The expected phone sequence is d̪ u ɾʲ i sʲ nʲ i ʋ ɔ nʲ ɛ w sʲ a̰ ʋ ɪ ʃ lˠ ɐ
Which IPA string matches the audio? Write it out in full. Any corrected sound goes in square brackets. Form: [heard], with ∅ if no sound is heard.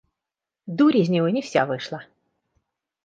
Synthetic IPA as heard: d̪ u ɾʲ i [zʲ] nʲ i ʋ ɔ nʲ [i] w sʲ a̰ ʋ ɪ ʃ lˠ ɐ